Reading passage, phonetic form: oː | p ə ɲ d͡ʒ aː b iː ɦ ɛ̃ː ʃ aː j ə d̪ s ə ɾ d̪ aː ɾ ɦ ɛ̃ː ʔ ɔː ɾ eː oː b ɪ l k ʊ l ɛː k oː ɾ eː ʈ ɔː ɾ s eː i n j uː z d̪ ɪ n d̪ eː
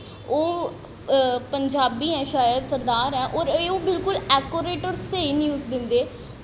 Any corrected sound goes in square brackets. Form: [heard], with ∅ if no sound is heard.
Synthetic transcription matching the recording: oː | p ə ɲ d͡ʒ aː b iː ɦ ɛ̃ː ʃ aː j ə d̪ s ə ɾ d̪ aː ɾ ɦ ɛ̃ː ʔ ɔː ɾ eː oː b ɪ l k ʊ l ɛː k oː ɾ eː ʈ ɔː ɾ s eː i n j uː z d̪ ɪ n d̪ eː